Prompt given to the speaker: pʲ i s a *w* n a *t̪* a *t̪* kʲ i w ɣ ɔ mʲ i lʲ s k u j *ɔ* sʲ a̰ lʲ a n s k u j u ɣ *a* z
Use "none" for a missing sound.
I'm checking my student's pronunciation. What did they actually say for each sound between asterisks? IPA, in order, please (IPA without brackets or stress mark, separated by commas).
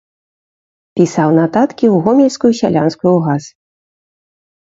w, t̪, t̪, u, a